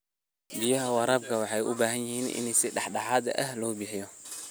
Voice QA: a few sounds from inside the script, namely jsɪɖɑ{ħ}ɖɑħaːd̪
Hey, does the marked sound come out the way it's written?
yes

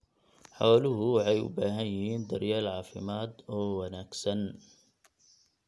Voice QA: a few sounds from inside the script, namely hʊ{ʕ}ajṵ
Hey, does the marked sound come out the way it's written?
yes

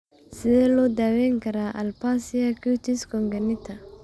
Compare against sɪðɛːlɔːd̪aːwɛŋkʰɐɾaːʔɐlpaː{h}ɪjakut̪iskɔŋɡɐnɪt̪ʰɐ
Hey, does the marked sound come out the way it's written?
no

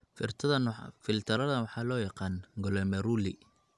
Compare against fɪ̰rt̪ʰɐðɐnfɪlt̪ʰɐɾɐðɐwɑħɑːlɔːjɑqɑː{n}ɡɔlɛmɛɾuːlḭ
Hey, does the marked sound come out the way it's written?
yes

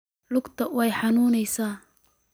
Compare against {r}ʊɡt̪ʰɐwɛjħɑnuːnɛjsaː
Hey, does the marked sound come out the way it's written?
no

